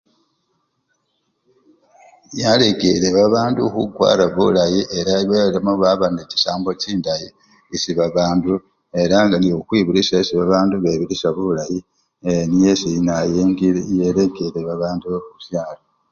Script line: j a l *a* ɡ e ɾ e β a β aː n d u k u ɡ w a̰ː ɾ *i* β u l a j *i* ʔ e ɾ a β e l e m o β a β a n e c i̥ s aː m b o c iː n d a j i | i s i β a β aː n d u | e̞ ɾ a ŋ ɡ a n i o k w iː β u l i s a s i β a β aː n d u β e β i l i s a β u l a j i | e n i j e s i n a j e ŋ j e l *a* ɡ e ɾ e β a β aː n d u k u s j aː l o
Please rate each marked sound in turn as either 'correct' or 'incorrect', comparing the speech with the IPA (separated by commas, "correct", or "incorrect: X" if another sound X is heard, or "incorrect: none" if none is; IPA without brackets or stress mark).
incorrect: e, incorrect: a, correct, incorrect: e